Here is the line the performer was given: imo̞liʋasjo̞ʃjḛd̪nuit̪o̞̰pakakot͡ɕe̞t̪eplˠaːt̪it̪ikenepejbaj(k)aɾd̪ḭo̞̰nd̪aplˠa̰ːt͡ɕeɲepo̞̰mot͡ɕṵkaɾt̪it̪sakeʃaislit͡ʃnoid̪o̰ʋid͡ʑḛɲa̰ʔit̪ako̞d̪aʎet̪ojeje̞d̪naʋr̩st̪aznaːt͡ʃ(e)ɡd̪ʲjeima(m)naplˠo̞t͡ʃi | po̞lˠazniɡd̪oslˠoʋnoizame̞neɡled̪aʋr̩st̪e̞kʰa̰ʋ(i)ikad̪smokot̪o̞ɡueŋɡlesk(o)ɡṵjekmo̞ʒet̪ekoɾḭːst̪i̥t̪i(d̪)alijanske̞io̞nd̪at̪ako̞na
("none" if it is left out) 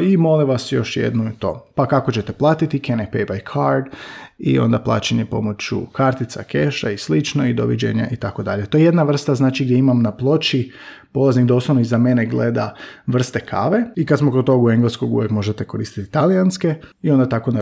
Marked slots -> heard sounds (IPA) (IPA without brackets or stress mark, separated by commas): kʰ, i, m, e, o, t̪